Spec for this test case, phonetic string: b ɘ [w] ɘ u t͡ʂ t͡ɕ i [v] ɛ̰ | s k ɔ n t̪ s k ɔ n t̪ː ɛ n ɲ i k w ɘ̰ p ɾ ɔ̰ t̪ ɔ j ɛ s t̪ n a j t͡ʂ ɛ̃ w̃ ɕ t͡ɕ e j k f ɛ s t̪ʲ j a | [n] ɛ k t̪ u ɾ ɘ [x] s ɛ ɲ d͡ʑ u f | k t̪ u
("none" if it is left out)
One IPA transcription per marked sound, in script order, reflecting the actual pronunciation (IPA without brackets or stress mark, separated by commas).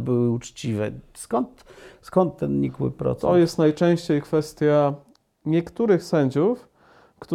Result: w, v, ɲ, x